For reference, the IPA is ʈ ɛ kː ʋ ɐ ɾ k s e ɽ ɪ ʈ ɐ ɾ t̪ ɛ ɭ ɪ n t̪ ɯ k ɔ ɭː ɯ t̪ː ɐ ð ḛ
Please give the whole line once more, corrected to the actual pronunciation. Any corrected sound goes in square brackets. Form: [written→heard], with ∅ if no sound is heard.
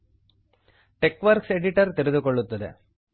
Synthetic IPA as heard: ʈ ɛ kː ʋ ɐ ɾ k s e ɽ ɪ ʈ ɐ ɾ t̪ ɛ [ɭ→ɾ] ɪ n [t̪→d̪] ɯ k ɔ ɭː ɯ t̪ː ɐ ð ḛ

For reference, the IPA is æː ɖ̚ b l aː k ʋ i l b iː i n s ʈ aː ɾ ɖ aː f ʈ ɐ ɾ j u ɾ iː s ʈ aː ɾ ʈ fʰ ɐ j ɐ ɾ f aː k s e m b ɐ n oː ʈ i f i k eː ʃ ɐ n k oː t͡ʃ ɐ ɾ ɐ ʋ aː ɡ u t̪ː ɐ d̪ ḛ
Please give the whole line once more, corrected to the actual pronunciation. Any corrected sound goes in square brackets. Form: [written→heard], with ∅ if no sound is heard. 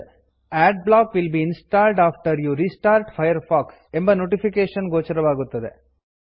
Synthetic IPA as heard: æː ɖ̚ b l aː k ʋ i l b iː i n s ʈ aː [ɾ→l] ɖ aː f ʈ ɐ ɾ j u ɾ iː s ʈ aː ɾ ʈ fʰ ɐ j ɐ ɾ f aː k s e m b ɐ n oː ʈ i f i k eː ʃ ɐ n [k→ɡ] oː t͡ʃ ɐ ɾ ɐ ʋ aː ɡ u t̪ː ɐ d̪ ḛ

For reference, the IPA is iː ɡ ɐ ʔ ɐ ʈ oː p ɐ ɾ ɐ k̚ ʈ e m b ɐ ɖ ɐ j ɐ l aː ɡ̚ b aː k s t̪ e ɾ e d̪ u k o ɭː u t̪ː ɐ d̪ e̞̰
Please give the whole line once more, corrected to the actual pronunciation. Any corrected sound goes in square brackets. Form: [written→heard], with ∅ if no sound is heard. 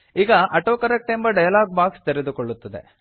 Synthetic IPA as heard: iː ɡ ɐ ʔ ɐ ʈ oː [p→k] ɐ ɾ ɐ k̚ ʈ e m b ɐ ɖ ɐ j ɐ l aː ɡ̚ b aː k s t̪ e ɾ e d̪ u k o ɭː u t̪ː ɐ d̪ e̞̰

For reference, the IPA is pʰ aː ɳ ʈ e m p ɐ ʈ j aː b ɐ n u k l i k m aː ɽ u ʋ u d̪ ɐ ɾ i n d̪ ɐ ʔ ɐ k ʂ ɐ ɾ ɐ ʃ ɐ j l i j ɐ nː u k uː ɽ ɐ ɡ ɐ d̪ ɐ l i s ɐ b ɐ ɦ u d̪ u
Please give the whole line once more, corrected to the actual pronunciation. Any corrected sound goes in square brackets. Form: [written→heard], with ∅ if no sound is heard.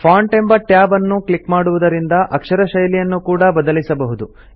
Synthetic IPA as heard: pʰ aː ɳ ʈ e m [p→b] ɐ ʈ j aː b ɐ [n→nː] u k l i k m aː ɽ u ʋ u d̪ ɐ ɾ i n d̪ ɐ ʔ ɐ k ʂ ɐ ɾ ɐ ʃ ɐ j l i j ɐ nː u k uː ɽ ɐ [ɡ→b] ɐ d̪ ɐ l i s ɐ b ɐ ɦ u d̪ u

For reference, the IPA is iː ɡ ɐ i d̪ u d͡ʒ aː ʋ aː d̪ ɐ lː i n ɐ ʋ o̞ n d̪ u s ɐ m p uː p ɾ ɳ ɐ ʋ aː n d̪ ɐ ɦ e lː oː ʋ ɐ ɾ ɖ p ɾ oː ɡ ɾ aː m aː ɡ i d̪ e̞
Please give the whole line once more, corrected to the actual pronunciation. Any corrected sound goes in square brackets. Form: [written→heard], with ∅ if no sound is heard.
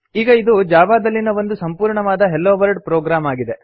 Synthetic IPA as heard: iː ɡ ɐ i d̪ u d͡ʒ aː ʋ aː d̪ ɐ lː i n ɐ ʋ o̞ n d̪ u s ɐ m p uː [p→∅] ɾ ɳ ɐ ʋ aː [n→∅] d̪ ɐ ɦ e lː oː ʋ ɐ ɾ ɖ p ɾ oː ɡ ɾ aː m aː ɡ i d̪ e̞

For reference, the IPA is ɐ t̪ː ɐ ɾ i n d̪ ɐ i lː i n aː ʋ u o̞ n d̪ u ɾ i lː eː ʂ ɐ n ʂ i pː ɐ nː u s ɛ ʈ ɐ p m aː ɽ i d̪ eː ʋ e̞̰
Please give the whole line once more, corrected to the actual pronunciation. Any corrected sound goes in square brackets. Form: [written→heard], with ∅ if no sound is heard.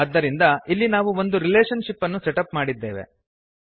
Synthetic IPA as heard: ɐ [t̪ː→d̪ː] ɐ ɾ i n d̪ ɐ i lː i n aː ʋ u o̞ n d̪ u ɾ i [lː→l] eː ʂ ɐ n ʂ i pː ɐ nː u s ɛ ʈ ɐ p m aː ɽ i [d̪→d̪ː] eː ʋ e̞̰

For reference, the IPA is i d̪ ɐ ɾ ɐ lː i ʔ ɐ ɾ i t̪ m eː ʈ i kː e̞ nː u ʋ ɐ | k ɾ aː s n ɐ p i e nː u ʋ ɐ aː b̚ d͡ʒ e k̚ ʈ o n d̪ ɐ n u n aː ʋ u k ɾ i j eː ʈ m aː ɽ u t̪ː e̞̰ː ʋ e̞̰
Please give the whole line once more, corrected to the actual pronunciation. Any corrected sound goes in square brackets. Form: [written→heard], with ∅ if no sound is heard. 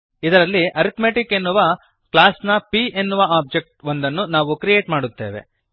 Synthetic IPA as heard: i d̪ ɐ ɾ ɐ lː i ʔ ɐ ɾ i t̪ m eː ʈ i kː e̞ nː u ʋ ɐ | k [ɾ→l] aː s n ɐ p i e nː u ʋ ɐ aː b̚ d͡ʒ e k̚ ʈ o n d̪ ɐ [n→nː] u n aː ʋ u k ɾ i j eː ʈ m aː ɽ u t̪ː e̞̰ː ʋ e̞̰

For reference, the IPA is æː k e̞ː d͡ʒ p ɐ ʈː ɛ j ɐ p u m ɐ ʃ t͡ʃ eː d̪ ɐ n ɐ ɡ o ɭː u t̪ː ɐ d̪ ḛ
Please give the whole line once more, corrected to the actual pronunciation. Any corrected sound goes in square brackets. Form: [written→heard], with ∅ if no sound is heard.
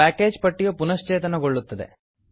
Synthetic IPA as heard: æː k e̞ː d͡ʒ p ɐ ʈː [ɛ→i] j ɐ p u [m→n] ɐ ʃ t͡ʃ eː [d̪→t̪] ɐ n ɐ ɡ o ɭː u t̪ː ɐ d̪ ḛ

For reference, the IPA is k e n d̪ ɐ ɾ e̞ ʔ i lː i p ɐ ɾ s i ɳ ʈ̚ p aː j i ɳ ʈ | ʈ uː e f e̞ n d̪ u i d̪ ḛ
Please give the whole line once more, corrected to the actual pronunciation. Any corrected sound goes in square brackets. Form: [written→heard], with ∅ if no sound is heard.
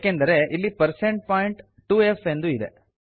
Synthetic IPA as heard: k e n d̪ ɐ ɾ e̞ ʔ i lː i p ɐ ɾ s [i→e] ɳ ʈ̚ p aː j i ɳ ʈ | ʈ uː e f e̞ n d̪ u i d̪ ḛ

